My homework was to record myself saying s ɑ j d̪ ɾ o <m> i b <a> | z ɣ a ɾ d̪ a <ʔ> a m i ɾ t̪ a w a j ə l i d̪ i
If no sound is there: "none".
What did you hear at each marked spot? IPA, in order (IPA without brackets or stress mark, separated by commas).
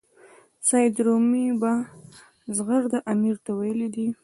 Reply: m, a, ʔ